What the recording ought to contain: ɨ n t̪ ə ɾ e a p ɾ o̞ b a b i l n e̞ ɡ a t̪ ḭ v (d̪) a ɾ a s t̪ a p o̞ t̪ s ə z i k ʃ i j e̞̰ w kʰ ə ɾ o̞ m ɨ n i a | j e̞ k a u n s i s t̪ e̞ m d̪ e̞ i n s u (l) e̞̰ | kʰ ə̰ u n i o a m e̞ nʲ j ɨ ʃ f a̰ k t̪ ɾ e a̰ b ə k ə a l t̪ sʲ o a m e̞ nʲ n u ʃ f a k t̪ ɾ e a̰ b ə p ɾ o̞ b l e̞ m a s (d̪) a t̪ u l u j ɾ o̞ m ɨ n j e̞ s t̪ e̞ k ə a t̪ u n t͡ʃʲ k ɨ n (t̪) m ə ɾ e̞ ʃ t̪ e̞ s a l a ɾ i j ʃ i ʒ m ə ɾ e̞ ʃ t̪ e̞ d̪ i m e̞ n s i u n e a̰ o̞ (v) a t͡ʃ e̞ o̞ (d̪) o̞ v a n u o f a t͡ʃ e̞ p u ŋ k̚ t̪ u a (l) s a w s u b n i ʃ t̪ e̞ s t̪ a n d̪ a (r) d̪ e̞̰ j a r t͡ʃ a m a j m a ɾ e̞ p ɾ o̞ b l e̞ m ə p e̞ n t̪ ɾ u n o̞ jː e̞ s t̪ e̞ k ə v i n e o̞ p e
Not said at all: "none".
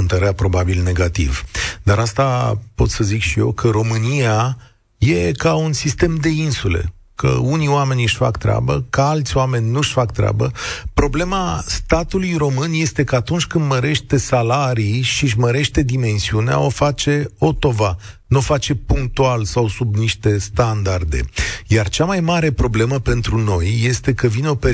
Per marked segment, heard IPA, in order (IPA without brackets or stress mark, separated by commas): d̪, l, t̪, d̪, f, t̪, l, r